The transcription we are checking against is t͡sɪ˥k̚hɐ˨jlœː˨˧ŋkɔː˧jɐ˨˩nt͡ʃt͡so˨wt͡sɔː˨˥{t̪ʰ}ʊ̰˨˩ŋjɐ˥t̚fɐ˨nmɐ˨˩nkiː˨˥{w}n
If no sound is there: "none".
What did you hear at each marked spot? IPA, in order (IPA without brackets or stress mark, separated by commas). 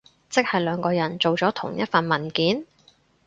t̪ʰ, none